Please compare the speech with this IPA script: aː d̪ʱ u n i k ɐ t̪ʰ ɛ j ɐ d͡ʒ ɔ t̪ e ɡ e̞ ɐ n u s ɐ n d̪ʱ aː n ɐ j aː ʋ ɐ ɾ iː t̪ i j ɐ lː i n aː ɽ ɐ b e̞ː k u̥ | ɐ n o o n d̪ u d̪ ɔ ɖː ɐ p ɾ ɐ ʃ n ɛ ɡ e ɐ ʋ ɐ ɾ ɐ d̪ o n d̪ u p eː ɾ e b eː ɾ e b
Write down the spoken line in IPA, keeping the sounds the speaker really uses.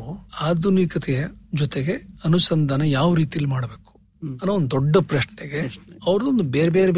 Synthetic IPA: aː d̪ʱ u n i k ɐ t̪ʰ ɛ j ɐ d͡ʒ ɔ t̪ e ɡ e̞ ɐ n u s ɐ n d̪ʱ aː n ɐ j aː ʋ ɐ ɾ iː t̪ i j ɐ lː i m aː ɽ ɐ b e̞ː k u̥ | ɐ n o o n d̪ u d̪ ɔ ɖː ɐ p ɾ ɐ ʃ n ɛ ɡ e ɐ ʋ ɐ ɾ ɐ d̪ o n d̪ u b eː ɾ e b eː ɾ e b